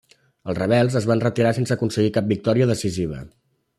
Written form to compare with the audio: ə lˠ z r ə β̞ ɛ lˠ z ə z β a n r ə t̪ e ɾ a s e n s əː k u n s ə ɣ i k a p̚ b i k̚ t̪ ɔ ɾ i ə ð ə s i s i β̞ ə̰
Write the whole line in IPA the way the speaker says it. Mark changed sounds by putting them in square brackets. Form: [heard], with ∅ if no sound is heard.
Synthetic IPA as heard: ə lˠ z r ə β̞ ɛ lˠ z ə z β a n r ə t̪ [i] ɾ a s e n s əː k u n s ə ɣ i k a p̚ b i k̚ t̪ ɔ ɾ i ə ð ə s i [z] i β̞ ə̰